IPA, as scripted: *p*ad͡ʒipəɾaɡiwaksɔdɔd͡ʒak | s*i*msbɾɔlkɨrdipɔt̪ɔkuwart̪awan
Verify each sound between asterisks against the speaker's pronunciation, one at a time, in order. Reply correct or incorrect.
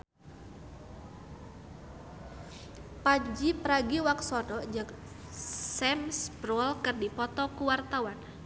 correct, incorrect: ɛ

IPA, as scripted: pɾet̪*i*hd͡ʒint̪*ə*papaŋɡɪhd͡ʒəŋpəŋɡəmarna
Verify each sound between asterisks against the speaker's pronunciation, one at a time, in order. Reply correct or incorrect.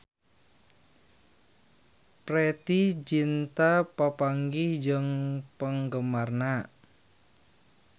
correct, incorrect: a

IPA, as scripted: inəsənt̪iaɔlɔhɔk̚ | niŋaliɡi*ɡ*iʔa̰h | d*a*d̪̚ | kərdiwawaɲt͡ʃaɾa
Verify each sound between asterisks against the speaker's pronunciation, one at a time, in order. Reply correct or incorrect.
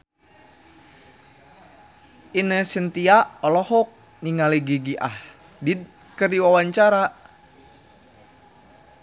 correct, incorrect: i

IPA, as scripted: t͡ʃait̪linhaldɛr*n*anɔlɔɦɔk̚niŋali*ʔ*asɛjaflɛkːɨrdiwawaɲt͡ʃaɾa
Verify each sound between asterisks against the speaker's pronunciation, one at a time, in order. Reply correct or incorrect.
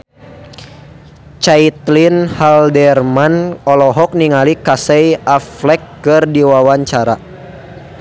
incorrect: m, incorrect: k

